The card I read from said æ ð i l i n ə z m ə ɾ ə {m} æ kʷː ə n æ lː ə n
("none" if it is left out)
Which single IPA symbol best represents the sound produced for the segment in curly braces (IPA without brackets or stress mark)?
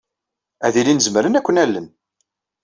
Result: n